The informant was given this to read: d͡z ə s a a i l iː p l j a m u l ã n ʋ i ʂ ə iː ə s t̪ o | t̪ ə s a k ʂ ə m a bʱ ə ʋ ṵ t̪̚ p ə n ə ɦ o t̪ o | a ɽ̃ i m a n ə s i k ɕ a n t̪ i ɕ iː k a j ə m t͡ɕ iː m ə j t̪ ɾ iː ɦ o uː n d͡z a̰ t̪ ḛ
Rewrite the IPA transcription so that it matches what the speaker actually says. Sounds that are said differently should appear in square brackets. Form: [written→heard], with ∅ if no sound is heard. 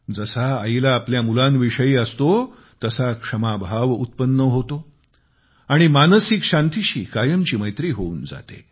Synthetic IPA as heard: d͡z ə s a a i l [iː→aː] p l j a m u l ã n ʋ i ʂ ə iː ə s t̪ o | t̪ ə s a k ʂ ə m a bʱ [ə→a] ʋ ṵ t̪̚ p ə [n→nː] ə ɦ o t̪ o | a ɽ̃ i m a n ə s i k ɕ a n t̪ i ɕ iː k a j ə m t͡ɕ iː m ə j t̪ ɾ iː ɦ o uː n d͡z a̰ t̪ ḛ